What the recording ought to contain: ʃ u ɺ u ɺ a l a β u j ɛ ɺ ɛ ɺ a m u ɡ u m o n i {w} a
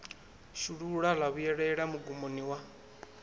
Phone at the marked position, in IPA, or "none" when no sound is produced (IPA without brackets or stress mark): w